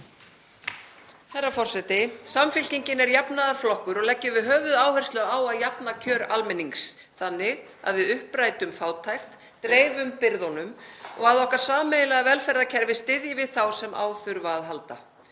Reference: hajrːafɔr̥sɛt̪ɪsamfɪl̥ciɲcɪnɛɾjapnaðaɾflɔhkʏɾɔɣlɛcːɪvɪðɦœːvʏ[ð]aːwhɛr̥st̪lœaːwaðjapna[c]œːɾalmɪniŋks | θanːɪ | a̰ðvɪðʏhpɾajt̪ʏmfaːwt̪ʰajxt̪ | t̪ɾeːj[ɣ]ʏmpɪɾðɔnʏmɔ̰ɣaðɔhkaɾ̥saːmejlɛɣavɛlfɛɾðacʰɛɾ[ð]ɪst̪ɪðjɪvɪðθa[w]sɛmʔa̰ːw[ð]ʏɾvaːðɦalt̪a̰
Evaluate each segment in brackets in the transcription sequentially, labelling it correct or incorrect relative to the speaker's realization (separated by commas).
correct, incorrect, incorrect, incorrect, correct, incorrect